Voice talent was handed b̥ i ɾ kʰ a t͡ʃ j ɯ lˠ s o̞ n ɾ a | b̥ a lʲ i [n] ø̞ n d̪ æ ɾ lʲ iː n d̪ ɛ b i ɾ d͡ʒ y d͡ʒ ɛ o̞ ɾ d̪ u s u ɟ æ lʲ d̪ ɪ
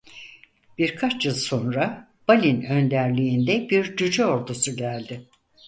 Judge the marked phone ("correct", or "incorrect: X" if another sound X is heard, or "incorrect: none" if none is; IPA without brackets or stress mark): correct